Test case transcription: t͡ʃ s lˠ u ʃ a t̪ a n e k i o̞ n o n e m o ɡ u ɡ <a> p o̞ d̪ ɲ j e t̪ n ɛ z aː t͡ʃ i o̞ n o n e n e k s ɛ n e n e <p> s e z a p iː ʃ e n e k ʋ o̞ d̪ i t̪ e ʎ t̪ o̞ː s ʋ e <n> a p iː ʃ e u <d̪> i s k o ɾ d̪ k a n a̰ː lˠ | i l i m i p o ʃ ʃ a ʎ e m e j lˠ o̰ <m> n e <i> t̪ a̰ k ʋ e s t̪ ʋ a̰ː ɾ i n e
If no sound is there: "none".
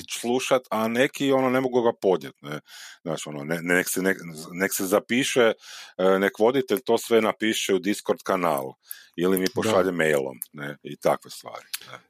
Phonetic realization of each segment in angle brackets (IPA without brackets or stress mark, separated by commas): a, k, n, d̪, m, i